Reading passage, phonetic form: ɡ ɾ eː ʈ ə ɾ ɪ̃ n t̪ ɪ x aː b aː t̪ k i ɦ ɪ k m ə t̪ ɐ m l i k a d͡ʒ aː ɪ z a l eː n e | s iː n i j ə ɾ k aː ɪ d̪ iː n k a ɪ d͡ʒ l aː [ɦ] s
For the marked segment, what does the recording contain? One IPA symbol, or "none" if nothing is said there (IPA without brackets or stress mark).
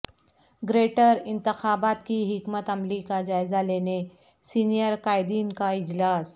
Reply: none